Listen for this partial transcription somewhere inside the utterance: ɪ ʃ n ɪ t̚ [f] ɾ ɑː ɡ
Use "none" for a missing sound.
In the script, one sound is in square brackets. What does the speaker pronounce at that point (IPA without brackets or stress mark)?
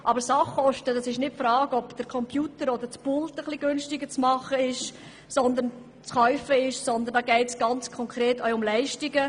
f